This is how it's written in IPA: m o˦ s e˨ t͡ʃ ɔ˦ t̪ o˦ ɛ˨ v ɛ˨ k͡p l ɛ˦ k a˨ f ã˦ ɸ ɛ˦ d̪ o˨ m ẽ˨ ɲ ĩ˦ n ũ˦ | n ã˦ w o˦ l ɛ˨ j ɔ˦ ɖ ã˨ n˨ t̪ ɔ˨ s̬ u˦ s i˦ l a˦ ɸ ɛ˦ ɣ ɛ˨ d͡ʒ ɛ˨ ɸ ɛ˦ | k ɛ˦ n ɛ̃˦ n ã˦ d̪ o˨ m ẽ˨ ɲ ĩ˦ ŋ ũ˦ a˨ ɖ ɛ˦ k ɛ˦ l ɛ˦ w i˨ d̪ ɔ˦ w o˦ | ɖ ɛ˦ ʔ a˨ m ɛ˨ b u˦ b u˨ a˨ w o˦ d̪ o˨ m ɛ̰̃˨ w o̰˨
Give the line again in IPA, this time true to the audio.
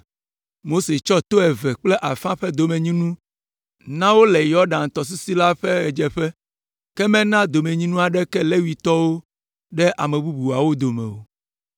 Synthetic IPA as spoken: m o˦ s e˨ t͡ʃ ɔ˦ t̪ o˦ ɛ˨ v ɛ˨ k͡p l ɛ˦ ʔ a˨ f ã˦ ɸ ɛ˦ d̪ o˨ m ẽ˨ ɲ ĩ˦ n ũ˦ | n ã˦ w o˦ l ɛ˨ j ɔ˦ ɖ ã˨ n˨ t̪ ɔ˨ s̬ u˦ s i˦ l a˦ ɸ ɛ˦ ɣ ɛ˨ d͡ʒ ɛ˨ ɸ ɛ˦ | k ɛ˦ m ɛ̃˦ n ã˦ d̪ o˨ m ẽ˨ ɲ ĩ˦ n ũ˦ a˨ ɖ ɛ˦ k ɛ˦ l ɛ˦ w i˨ t̪ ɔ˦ w o˦ | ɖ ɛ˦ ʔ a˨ m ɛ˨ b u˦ b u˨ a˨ w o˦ d̪ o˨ m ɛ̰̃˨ w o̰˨

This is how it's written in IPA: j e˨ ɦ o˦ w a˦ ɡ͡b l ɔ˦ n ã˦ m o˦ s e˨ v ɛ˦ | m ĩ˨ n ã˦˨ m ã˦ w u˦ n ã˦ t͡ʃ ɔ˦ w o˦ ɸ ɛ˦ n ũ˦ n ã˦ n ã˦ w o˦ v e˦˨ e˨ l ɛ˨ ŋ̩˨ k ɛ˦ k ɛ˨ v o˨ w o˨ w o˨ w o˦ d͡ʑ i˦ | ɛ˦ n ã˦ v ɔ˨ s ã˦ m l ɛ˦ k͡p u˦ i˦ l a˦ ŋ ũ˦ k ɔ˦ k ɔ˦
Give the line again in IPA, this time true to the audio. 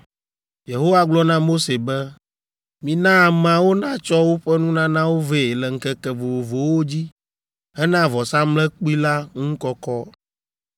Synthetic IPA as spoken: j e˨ ɦ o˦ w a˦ ɡ͡b l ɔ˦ n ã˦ m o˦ s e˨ b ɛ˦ | m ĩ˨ n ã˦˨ m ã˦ w o˦ n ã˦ t͡ʃ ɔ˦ w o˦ ɸ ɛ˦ n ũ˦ n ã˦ n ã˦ w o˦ v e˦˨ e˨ l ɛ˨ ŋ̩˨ k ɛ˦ k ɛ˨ v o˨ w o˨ v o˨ w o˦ d͡ʑ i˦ | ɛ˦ n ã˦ v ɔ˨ s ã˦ m l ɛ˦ k͡p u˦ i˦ l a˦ ŋ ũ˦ k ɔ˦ k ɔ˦

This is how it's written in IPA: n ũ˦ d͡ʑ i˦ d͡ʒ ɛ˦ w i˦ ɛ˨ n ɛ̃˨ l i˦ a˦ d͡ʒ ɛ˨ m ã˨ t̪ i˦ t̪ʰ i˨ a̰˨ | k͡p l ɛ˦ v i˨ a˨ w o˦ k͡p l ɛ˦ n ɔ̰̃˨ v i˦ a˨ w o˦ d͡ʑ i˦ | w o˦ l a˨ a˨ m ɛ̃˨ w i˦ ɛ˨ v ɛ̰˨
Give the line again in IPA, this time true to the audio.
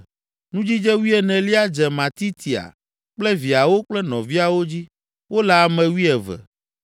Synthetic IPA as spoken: n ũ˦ d͡ʑ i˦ d͡ʒ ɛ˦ w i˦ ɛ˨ n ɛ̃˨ l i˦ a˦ d͡ʒ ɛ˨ m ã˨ t̪ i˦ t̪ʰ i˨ a̰˨ | k͡p l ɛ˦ v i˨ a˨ w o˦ k͡p l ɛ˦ n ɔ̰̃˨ v i˦ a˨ w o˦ d͡ʑ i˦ | w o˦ l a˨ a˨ m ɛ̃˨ w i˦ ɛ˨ v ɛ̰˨

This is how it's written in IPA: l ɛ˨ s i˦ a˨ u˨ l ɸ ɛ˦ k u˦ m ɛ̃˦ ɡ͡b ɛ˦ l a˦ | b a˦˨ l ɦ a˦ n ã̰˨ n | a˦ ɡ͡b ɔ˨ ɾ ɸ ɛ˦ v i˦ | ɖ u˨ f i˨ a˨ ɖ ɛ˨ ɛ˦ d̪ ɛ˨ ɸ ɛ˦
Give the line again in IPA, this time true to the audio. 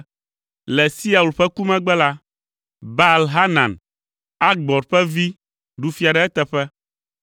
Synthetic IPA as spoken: l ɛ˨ s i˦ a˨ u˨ l ɸ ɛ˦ k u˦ m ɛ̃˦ ɡ͡b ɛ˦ l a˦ | b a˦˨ l ɦ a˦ n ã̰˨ n | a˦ ɡ͡b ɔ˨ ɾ ɸ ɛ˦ v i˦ | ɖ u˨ f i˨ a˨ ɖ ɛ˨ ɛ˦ t̪ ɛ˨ ɸ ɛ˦

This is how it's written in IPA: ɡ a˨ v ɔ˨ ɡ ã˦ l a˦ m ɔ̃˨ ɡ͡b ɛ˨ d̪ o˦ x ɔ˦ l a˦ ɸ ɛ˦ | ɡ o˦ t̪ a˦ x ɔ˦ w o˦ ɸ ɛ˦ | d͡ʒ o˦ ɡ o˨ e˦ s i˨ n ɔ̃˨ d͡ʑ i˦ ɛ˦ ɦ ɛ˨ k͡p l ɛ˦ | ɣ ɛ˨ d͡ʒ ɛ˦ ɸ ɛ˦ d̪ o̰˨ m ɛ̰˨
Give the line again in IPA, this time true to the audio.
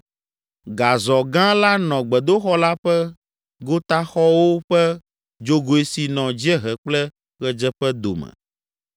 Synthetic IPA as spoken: ɡ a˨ z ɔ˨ ɡ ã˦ l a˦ n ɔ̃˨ ɡ͡b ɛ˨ d̪ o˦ x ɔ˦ l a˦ ɸ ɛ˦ | ɡ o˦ t̪ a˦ x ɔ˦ w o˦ ɸ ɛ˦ | d͡ʒ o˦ ɡ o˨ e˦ s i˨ n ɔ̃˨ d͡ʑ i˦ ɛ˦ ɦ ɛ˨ k͡p l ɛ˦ | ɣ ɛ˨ d͡ʒ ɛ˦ ɸ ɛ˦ d̪ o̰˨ m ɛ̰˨

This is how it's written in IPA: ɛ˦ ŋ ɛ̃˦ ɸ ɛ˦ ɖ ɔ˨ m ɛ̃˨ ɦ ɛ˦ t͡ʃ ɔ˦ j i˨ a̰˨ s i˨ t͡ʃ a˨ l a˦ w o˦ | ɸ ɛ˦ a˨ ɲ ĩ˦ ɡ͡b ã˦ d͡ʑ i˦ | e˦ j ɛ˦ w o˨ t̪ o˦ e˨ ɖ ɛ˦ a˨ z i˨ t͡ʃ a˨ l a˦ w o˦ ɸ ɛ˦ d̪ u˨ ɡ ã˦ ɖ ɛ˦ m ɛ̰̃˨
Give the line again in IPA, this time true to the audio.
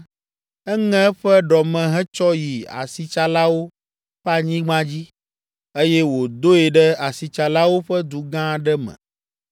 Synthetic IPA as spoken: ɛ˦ ŋ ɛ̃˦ ɸ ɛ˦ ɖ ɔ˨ m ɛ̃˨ ɦ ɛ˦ t͡ʃ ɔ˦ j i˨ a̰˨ s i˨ t͡ʃ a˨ l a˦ w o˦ | ɸ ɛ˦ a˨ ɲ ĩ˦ ɡ͡b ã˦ d͡ʑ i˦ | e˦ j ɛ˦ w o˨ d̪ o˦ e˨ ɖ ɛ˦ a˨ s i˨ t͡ʃ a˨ l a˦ w o˦ ɸ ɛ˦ d̪ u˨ ɡ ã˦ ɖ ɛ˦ m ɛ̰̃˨

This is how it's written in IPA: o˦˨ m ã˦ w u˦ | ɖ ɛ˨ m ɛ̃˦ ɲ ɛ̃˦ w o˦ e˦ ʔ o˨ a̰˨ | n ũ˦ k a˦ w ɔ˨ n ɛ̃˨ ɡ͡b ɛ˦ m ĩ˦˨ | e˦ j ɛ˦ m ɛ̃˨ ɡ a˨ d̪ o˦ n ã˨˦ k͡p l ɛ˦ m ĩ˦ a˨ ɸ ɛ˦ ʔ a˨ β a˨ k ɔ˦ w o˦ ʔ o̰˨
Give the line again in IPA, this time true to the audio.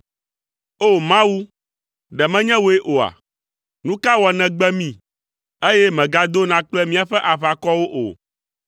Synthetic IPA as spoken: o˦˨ m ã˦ w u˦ | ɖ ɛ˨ m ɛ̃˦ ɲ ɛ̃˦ w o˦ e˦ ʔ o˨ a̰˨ | n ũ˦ k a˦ w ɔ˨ n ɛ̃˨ ɡ͡b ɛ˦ m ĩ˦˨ | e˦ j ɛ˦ m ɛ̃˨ ɡ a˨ d̪ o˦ n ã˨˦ k͡p l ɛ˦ m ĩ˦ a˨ ɸ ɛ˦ ʔ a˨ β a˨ k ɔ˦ w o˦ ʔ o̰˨

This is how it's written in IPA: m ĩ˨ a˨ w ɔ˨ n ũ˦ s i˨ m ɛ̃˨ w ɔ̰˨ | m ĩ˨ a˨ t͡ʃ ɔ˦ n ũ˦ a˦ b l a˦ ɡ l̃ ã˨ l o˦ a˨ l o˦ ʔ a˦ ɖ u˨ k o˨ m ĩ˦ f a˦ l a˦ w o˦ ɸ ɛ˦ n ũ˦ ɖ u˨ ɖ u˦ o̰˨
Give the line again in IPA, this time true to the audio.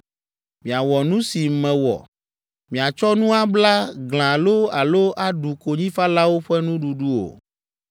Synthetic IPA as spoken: m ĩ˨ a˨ w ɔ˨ n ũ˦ s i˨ m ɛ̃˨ w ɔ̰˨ | m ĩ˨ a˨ t͡ʃ ɔ˦ n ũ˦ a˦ b l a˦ ɡ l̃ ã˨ l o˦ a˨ l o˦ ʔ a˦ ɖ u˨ k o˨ ɲ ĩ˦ f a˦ l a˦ w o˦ ɸ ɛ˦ n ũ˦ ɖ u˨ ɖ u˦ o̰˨

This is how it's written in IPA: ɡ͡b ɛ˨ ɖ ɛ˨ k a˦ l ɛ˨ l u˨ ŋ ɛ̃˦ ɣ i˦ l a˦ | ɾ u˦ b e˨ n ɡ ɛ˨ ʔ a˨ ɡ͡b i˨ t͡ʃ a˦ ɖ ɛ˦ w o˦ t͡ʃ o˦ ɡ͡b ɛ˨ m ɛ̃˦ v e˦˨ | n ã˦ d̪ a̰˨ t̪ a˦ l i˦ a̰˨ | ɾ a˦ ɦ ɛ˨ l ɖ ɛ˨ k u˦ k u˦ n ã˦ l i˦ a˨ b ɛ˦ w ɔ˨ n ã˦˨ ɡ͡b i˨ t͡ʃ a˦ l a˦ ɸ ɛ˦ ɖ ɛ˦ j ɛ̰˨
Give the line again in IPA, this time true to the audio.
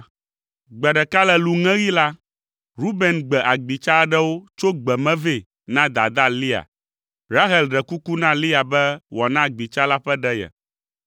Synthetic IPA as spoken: ɡ͡b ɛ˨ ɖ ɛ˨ k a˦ l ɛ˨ l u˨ ŋ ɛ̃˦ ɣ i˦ l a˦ | ɾ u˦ b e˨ n ɡ͡b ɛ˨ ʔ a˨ ɡ͡b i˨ t͡ʃ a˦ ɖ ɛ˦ w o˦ t͡ʃ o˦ ɡ͡b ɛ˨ m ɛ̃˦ v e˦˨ | n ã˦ d̪ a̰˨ d̪ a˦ l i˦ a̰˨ | ɾ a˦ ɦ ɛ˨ l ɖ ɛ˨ k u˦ k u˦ n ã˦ l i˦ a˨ b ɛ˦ w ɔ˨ n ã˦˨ ɡ͡b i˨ t͡ʃ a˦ l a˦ ɸ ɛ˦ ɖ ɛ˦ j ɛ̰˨

